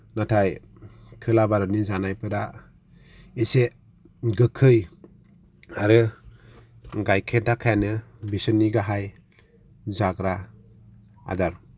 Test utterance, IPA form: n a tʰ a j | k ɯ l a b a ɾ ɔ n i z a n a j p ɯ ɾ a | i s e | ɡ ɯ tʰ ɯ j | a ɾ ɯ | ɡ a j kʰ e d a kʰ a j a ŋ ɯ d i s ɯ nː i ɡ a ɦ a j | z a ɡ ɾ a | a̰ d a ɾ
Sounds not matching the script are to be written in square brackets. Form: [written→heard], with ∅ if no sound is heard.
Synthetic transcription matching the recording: n a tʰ a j | [k→kʰ] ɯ l a b a ɾ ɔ n i z a n a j p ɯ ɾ a | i s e | ɡ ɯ [tʰ→kʰ] ɯ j | a ɾ ɯ | ɡ a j kʰ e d a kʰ a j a [ŋ→n] ɯ [d→b] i s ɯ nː i ɡ a ɦ a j | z a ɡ ɾ a | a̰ d a ɾ